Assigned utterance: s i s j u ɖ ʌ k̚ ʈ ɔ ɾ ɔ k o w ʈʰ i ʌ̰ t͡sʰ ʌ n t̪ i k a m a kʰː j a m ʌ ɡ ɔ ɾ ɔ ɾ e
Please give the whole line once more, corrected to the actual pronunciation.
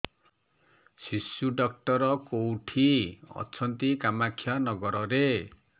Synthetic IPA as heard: s i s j u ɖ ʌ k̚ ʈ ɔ ɾ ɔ k o w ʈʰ i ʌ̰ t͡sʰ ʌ n t̪ i k a m a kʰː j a n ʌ ɡ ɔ ɾ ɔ ɾ e